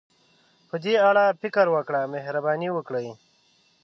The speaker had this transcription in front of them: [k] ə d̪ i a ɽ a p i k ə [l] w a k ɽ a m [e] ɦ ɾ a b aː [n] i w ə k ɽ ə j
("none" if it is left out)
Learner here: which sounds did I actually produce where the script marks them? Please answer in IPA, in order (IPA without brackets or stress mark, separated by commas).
p, ɾ, e, n